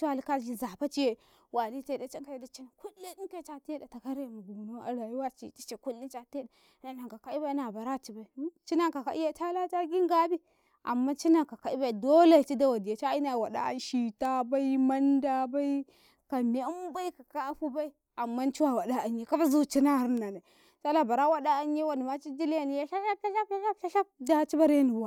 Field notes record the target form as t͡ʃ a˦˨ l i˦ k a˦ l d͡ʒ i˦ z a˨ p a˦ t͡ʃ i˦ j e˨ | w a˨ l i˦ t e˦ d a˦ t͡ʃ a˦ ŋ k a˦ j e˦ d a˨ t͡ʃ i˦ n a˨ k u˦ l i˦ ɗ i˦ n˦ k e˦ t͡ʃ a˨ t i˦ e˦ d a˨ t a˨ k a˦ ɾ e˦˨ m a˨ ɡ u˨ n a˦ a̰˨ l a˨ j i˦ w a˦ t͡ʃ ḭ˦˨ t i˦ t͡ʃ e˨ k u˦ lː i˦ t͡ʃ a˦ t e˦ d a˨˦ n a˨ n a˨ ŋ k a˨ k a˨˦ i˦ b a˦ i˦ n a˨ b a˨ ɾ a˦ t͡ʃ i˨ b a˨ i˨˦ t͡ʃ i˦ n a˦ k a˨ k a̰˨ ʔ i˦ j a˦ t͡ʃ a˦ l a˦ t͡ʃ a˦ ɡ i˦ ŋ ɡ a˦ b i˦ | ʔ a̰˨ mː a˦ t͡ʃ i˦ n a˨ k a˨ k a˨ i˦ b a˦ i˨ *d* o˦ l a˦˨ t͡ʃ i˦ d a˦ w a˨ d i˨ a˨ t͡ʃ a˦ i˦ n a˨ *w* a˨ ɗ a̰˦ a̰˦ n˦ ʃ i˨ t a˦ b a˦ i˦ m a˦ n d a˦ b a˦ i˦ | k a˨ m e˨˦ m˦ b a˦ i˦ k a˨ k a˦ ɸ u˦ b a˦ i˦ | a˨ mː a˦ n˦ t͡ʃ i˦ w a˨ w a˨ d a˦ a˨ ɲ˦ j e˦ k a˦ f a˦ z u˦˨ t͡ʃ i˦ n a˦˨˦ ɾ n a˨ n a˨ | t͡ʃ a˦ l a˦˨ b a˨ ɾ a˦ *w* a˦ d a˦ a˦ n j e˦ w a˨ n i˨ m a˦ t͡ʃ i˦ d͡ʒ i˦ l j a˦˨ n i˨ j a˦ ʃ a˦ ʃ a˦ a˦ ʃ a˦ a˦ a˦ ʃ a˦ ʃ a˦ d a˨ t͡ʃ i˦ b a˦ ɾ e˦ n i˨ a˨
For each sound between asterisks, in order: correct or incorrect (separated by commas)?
correct, correct, correct